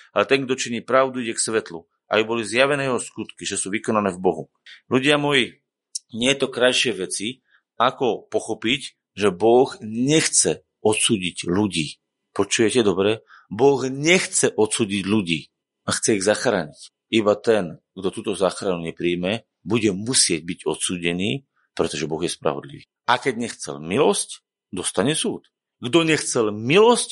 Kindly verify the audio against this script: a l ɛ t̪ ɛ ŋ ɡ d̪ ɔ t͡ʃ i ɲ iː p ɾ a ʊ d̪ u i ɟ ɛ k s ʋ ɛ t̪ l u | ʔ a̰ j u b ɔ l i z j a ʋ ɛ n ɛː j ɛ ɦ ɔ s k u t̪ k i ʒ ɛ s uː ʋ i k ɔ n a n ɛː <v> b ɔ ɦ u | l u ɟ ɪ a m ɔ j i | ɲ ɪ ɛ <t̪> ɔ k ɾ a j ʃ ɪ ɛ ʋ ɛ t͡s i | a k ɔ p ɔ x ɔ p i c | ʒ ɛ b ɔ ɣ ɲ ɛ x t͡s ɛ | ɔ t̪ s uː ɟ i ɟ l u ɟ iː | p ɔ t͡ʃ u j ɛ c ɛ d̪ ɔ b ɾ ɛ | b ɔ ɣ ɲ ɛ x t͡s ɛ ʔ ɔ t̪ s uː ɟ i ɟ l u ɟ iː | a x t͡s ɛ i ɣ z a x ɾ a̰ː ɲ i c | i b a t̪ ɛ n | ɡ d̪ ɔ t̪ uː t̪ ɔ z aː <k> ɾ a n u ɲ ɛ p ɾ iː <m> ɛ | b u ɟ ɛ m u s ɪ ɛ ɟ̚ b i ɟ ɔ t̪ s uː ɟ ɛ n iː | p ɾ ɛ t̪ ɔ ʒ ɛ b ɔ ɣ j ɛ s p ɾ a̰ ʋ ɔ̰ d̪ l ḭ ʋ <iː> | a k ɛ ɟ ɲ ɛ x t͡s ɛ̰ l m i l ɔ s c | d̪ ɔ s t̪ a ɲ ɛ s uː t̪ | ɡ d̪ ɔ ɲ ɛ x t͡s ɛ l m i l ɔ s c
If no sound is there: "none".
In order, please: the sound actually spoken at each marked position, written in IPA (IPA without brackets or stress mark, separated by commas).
v, t̪, x, m, iː